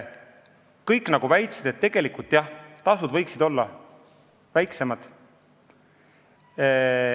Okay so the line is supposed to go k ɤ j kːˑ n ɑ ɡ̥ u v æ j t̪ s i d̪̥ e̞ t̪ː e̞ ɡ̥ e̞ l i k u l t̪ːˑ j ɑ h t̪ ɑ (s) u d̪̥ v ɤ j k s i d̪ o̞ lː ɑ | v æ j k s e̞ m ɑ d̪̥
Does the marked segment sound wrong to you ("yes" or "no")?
no